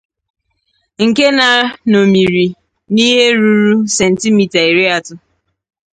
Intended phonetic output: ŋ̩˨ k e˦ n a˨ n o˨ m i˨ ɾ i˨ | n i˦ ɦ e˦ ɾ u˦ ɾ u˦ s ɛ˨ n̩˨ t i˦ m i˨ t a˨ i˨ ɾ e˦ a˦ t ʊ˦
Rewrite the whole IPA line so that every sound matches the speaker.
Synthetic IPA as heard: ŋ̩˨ k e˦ n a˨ n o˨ m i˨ ɾ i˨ | n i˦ ɦ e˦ ɾ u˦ ɾ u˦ s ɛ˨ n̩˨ t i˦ m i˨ t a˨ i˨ ɾ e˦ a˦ t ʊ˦